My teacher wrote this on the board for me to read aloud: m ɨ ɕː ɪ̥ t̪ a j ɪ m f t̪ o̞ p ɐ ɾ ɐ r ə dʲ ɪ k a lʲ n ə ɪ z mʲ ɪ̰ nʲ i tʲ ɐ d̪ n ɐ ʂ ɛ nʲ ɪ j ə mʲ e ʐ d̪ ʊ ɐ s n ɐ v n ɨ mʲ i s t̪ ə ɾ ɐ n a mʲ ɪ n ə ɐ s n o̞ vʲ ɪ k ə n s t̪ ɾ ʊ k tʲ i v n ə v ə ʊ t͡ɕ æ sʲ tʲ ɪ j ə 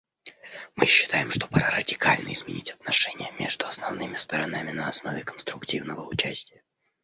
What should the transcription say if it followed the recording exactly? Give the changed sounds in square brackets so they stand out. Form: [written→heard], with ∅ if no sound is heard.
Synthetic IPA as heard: m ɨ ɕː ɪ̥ t̪ a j ɪ m [f→ʂ] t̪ o̞ p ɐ ɾ [ɐ→a] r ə dʲ ɪ k a lʲ n ə ɪ z mʲ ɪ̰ nʲ i tʲ ɐ [d̪→t̪] n ɐ ʂ ɛ nʲ ɪ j ə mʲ e ʐ d̪ ʊ ɐ s n ɐ v n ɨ mʲ [i→ɪ] s t̪ ə ɾ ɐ n a mʲ ɪ n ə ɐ s n o̞ vʲ ɪ k ə n s t̪ ɾ ʊ k tʲ i v n ə v ə ʊ t͡ɕ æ sʲ tʲ ɪ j ə